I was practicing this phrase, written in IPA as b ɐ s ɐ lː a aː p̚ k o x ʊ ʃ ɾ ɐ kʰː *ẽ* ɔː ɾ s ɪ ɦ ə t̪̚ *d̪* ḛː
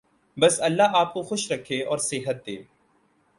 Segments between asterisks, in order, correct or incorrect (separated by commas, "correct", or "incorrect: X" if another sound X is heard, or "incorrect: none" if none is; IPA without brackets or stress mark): incorrect: e, correct